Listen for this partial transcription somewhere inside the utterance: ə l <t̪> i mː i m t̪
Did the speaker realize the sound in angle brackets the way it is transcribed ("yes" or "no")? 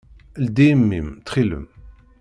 no